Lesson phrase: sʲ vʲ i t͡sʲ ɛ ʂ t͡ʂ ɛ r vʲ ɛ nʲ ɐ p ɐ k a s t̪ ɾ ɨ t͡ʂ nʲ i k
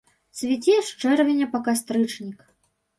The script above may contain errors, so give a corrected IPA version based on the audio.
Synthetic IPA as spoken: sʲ vʲ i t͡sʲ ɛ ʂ t͡ʂ ɛ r vʲ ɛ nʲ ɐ p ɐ k a s t̪ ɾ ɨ t͡ʂ nʲ i k